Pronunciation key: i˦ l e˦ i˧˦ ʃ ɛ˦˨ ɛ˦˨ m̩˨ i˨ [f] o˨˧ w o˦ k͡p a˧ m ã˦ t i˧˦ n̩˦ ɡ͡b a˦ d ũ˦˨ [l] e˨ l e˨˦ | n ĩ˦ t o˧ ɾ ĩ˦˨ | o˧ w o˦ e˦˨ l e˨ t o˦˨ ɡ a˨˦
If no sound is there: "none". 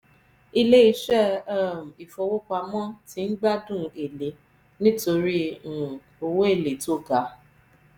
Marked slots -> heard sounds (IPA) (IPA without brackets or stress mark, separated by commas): f, none